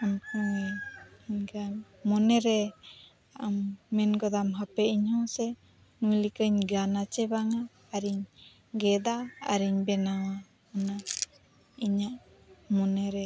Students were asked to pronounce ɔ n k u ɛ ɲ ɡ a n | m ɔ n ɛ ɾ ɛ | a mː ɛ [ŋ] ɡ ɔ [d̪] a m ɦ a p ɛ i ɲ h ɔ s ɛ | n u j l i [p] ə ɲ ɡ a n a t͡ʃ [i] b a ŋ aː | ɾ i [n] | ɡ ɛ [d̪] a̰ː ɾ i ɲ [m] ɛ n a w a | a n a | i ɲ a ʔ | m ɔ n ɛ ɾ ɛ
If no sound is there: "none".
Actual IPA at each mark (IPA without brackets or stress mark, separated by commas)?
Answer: n, d̪, k, ɛ, ɲ, d̪, b